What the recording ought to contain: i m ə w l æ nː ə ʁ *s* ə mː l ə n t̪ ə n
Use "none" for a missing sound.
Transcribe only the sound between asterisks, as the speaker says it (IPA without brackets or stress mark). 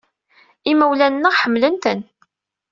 ħ